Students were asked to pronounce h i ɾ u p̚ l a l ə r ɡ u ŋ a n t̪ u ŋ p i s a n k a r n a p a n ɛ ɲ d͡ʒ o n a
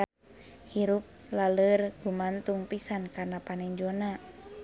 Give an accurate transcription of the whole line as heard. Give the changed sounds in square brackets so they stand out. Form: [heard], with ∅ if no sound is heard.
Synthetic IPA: h i ɾ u p̚ l a l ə r ɡ u [m] a n t̪ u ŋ p i s a n k a r n a p a n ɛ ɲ d͡ʒ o n a